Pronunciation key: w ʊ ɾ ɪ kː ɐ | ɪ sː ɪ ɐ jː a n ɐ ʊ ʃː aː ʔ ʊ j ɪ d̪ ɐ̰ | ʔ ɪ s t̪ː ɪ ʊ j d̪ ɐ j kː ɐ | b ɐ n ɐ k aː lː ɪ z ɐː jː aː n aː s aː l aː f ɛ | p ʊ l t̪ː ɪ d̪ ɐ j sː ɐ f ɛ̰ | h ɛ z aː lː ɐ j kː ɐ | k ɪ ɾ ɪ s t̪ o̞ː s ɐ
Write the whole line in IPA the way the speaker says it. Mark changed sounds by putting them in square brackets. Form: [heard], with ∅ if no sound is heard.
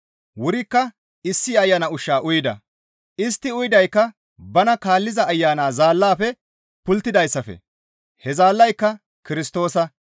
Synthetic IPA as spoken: w ʊ ɾ ɪ kː ɐ | ɪ sː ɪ ɐ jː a n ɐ ʊ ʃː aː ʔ ʊ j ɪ d̪ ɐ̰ | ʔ ɪ s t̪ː ɪ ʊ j d̪ ɐ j kː ɐ | b ɐ n ɐ k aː lː ɪ z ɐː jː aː n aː [z] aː [lː] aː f ɛ | p ʊ l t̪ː ɪ d̪ ɐ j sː ɐ f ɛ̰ | h ɛ z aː lː ɐ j kː ɐ | k ɪ ɾ ɪ s t̪ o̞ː s ɐ